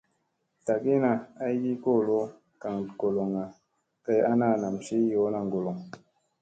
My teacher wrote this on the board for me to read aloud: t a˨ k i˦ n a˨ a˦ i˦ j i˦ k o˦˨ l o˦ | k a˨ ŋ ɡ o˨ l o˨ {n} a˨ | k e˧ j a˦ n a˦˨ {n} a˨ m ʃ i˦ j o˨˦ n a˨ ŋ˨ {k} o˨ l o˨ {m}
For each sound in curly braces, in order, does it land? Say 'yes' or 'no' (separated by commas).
no, yes, no, no